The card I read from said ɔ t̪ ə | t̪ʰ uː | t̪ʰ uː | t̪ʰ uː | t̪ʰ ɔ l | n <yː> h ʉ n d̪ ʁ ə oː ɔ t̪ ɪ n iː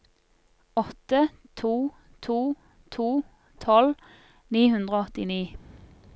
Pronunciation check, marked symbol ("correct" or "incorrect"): incorrect